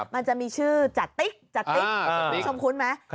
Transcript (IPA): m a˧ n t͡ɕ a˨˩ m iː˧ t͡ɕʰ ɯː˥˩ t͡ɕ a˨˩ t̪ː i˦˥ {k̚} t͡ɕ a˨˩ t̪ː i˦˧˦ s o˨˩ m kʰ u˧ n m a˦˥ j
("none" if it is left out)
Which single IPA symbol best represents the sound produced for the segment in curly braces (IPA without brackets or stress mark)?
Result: k̚